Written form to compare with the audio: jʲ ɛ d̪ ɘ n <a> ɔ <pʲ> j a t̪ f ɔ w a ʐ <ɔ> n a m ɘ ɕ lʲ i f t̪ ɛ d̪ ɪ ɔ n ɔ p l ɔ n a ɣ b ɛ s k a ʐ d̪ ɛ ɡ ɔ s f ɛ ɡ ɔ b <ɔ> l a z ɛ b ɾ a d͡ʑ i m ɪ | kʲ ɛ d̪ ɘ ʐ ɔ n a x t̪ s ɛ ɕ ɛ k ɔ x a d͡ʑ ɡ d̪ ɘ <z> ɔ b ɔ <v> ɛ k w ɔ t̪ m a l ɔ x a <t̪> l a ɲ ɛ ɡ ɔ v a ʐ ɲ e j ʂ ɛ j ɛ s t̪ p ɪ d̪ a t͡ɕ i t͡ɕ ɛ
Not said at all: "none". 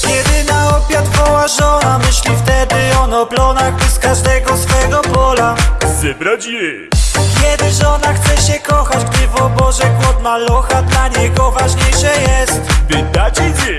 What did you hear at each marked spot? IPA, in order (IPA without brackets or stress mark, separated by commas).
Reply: a, pʲ, ɔ, ɔ, v, ʐ, d̪